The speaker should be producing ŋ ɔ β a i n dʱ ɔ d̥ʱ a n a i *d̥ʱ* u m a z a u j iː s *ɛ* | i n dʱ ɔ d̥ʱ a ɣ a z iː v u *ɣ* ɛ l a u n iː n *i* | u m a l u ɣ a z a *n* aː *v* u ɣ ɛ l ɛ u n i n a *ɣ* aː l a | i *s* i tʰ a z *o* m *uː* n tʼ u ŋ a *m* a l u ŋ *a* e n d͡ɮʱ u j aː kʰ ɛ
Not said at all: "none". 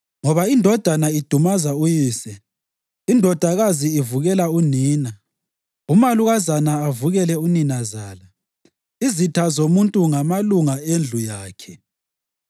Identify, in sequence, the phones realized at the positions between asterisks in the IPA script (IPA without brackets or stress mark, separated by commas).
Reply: d̥ʱ, ɛ, ɣ, a, n, v, z, z, o, u, m, a